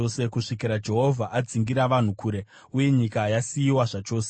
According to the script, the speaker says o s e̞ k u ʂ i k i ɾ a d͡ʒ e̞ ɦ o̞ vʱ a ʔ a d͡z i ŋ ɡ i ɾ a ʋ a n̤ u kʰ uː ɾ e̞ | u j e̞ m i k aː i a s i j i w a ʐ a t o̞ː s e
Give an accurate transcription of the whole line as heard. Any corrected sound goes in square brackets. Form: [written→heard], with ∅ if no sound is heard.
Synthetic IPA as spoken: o s e̞ k u ʂ i k i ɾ a d͡ʒ e̞ ɦ o̞ vʱ a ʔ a d͡z i ŋ ɡ i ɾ a ʋ a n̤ u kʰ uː ɾ e̞ | u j e̞ [m→ɲ] i k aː [i→j] a s i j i w a ʐ a [t→t͡ʃ] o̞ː s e